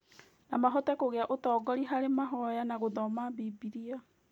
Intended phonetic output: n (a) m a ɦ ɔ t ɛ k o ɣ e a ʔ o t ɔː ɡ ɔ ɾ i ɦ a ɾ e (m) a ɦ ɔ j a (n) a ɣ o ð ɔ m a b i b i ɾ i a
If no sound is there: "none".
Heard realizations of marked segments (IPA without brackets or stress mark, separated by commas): a, m, n